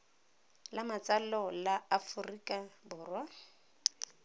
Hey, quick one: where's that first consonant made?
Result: tongue tip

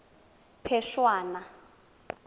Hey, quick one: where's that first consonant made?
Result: lips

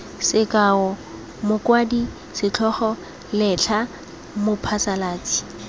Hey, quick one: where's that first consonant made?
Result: tongue tip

